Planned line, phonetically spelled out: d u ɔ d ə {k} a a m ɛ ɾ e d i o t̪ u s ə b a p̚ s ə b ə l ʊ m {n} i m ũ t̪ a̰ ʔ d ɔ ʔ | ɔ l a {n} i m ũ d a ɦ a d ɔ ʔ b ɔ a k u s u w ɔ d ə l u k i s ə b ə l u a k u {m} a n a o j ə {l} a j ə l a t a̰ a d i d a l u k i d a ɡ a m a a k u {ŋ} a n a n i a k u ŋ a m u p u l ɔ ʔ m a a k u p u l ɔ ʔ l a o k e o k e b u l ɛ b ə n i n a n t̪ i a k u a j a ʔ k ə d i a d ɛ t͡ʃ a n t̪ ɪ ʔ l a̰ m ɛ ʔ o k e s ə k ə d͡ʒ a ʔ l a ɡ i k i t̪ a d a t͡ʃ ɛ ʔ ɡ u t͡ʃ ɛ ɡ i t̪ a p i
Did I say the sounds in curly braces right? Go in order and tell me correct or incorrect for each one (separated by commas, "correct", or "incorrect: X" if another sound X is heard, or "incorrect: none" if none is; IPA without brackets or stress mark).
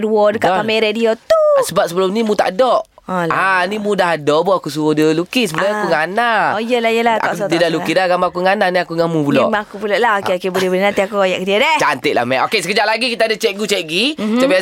correct, correct, correct, incorrect: ŋ, correct, correct